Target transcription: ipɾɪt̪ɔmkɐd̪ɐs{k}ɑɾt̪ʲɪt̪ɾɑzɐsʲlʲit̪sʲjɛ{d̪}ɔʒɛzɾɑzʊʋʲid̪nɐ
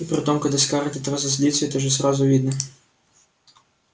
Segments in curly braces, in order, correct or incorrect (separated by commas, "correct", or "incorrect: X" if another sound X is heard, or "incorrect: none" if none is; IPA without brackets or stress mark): correct, incorrect: t̪